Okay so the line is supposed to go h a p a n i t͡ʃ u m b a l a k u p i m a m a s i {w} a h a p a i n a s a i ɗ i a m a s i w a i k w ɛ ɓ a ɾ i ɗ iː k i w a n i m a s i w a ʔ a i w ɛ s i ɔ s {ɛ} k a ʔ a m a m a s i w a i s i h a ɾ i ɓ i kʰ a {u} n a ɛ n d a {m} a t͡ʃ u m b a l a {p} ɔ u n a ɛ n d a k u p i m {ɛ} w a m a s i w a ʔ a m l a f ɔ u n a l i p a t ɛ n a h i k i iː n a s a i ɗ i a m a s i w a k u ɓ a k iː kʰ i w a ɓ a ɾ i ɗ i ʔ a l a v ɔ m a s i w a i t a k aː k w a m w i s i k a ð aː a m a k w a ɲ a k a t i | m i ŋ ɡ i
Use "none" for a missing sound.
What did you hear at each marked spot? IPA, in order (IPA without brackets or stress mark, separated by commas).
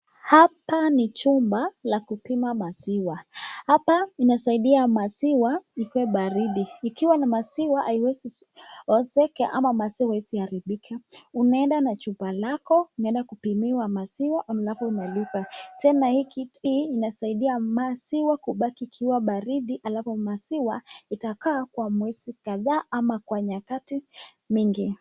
w, ɛ, u, n, k, i